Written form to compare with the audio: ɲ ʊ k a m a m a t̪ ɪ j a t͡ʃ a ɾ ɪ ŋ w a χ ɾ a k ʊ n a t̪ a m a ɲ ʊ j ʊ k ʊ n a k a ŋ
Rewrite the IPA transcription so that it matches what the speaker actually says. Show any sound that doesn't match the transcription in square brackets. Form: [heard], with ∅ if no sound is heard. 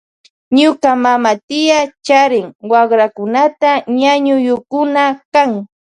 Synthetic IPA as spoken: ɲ ʊ k a m a m a t̪ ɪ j a t͡ʃ a ɾ ɪ ŋ w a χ ɾ a k ʊ n a t̪ a [ɲ] a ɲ ʊ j ʊ k ʊ n a k a ŋ